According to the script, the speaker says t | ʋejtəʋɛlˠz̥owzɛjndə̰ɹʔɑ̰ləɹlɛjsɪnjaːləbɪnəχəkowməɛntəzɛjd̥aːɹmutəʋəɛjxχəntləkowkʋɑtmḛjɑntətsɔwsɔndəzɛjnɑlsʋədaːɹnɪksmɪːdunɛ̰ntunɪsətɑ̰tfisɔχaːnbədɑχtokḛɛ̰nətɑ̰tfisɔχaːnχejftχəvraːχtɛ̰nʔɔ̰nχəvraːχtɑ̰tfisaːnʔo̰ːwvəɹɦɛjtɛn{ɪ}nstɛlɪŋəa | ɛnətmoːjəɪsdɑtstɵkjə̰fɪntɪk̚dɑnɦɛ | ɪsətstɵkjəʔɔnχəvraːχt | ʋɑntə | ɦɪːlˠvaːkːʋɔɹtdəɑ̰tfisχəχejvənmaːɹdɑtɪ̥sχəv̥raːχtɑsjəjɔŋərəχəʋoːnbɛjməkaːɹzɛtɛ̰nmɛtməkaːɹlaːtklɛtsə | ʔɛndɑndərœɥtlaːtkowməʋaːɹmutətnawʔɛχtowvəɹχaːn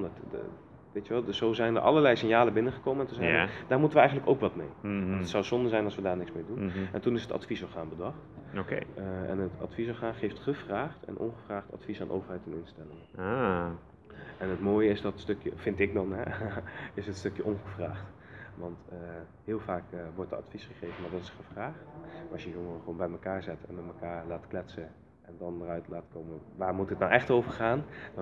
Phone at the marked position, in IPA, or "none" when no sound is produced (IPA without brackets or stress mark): ɪ